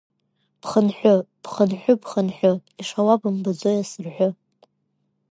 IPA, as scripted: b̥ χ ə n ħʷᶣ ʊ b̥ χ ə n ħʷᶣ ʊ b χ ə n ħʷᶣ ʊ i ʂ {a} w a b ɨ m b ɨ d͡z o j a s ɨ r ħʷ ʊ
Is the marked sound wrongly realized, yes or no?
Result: no